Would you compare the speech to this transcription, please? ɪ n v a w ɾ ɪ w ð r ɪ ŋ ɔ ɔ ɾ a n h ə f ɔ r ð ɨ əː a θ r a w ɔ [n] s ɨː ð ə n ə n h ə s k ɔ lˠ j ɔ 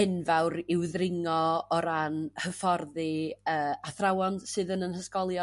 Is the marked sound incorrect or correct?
correct